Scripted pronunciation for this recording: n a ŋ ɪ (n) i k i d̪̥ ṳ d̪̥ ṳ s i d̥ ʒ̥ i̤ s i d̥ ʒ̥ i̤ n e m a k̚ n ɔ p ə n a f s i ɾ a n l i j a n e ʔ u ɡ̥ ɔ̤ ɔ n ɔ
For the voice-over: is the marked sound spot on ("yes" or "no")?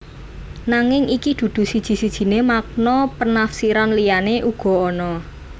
no